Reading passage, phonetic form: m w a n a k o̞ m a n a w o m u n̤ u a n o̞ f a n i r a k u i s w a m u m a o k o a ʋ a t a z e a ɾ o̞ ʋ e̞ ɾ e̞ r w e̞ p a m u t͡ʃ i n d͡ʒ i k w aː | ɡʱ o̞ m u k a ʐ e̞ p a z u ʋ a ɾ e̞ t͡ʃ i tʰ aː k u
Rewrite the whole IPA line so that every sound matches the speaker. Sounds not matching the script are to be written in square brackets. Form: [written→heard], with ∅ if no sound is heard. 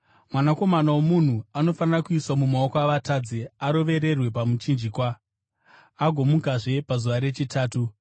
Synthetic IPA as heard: m w a n a k o̞ m a n a w o m u n̤ u a n o̞ f a n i r a k u i s w a m u m a o k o a ʋ a t a [z→d͡z] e a ɾ o̞ ʋ e̞ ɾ e̞ r w e̞ p a m u t͡ʃ i n d͡ʒ i k w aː | ɡʱ o̞ m u k a ʐ e̞ p a z u ʋ a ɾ e̞ t͡ʃ i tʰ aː [k→t] u